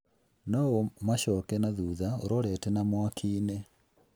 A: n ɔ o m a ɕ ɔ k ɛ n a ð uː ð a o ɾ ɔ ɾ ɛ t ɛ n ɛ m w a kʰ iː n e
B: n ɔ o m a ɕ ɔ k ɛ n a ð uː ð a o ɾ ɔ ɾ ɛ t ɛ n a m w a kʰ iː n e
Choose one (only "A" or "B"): B